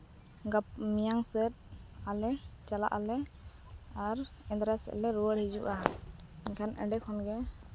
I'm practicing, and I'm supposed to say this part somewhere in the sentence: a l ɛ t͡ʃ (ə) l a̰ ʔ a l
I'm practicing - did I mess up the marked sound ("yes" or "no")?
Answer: yes